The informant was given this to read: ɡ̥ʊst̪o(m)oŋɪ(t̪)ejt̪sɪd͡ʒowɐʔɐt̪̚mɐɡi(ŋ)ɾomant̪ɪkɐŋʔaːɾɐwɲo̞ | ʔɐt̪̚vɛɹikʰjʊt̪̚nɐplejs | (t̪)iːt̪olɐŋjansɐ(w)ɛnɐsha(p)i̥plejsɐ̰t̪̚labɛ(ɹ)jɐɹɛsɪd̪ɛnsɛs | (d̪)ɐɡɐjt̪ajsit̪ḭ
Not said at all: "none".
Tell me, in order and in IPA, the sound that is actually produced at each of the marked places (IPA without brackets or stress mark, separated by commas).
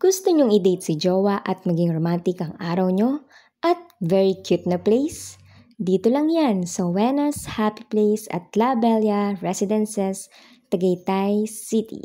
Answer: ɲ, d̪, ŋ, d̪, w, p, l, t̪